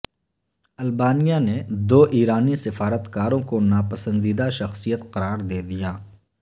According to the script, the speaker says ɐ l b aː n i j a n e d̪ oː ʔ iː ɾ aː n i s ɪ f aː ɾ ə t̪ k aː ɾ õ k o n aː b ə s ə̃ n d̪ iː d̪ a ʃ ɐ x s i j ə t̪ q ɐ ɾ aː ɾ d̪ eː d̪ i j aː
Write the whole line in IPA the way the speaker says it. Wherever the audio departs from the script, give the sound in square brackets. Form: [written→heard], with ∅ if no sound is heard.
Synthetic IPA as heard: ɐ l b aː n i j a n e d̪ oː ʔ iː ɾ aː n i s ɪ f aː ɾ ə t̪ k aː ɾ õ k o n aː [b→p] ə s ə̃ n d̪ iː d̪ a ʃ ɐ x s i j ə t̪ q ɐ ɾ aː ɾ d̪ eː d̪ i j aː